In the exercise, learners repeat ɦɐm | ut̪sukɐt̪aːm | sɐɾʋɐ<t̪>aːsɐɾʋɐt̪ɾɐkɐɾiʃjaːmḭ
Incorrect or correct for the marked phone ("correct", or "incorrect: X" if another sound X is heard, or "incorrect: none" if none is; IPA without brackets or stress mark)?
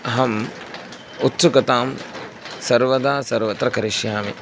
incorrect: d̪